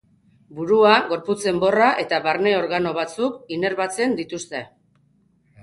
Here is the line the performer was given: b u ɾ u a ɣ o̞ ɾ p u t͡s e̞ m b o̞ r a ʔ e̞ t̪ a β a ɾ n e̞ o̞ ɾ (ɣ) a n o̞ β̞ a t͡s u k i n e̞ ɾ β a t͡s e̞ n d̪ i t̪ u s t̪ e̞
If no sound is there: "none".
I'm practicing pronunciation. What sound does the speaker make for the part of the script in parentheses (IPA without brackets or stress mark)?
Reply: ɣ